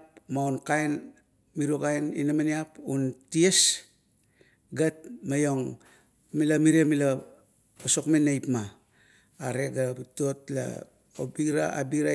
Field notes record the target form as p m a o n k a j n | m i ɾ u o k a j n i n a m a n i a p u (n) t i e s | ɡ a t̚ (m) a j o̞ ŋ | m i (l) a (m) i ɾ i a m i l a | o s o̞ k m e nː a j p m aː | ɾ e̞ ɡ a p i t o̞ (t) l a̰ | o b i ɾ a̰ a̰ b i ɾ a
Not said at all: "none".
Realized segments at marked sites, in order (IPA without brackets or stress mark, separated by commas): n, m, l, m, t